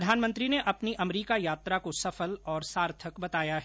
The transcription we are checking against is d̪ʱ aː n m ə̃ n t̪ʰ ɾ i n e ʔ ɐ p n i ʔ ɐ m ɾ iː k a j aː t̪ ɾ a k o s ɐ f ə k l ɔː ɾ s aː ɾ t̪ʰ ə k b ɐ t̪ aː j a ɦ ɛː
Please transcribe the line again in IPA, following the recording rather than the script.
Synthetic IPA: d̪ʱ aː n m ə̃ n t̪ ɾ i n e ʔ ɐ p n i ʔ ɐ m ɾ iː k a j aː t̪ ɾ a k o s ɐ f ə l ɔː ɾ s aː ɾ t̪ʰ ə k b ɐ t̪ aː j a ɦ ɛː